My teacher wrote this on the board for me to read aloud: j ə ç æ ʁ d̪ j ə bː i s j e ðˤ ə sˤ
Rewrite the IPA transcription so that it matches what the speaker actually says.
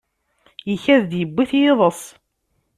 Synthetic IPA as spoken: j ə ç æ ð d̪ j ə bː i θ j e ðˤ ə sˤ